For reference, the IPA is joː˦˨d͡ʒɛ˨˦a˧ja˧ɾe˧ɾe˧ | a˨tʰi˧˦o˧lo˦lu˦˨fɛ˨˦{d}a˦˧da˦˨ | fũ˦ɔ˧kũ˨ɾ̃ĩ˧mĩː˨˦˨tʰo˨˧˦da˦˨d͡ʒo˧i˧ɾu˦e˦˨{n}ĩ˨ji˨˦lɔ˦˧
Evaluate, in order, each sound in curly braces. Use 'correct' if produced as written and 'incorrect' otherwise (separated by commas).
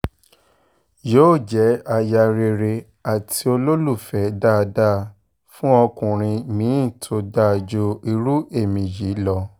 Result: correct, incorrect